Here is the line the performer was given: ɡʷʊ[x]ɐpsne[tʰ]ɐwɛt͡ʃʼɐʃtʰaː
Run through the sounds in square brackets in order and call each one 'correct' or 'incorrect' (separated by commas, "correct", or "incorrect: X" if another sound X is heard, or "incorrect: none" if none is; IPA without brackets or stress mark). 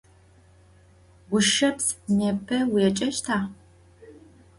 incorrect: ʃ, incorrect: pʰ